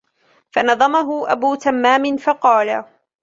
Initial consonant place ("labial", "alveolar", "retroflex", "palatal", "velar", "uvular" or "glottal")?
labial